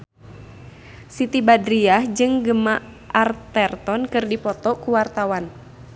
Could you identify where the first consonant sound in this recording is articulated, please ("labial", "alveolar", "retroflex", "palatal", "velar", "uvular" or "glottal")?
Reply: alveolar